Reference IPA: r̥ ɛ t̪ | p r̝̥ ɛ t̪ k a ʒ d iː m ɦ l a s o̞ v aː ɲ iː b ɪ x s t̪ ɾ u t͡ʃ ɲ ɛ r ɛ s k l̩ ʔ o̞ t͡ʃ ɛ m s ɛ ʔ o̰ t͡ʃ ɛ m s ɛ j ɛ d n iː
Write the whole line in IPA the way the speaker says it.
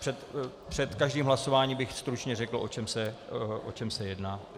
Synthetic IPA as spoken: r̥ ɛ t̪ | p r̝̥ ɛ t̪ k a ʒ d iː m ɦ l a s o̞ v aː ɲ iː b ɪ x s t̪ ɾ u t͡ʃ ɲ ɛ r ɛ k l̩ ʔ o̞ t͡ʃ ɛ m s ɛ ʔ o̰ t͡ʃ ɛ m s ɛ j ɛ d n aː